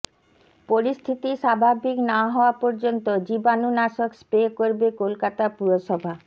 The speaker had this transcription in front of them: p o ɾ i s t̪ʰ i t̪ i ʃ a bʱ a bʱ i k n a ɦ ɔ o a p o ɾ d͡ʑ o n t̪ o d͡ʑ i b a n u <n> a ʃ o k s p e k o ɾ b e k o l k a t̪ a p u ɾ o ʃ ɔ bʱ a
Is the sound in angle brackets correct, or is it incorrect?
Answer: correct